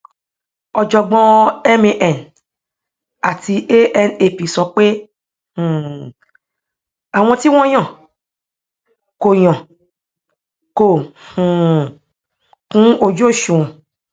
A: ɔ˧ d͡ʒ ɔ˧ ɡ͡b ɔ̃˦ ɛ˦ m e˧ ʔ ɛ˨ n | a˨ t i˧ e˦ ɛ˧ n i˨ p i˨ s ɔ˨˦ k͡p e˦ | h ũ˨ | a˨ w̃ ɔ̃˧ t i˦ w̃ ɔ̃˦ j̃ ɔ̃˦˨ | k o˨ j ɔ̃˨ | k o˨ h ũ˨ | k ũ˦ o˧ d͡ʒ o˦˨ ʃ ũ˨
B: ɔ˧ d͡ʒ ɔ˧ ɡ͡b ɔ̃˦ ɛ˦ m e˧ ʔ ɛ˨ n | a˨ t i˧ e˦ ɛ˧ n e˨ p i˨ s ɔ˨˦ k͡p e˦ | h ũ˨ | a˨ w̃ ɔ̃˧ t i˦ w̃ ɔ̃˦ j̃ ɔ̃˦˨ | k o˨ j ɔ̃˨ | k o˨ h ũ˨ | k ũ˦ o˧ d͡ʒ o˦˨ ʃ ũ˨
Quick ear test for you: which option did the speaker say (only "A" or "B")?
B